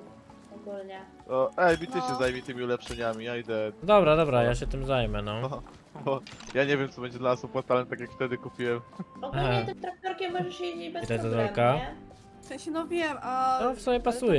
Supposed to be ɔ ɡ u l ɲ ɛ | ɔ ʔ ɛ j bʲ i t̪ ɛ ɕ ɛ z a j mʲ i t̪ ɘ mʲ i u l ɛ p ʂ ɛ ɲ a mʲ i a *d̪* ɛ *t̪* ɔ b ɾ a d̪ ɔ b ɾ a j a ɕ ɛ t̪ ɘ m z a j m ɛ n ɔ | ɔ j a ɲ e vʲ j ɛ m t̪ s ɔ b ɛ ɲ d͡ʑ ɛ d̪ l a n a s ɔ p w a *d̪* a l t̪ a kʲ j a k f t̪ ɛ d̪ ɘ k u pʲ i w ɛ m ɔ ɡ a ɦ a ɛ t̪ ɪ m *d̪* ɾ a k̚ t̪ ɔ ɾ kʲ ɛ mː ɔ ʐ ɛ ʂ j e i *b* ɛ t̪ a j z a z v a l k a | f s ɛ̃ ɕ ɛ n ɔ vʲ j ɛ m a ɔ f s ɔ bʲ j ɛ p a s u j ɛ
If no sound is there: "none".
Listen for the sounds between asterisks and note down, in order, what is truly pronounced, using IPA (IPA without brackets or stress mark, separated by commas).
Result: d̪, d̪, t̪, t̪, b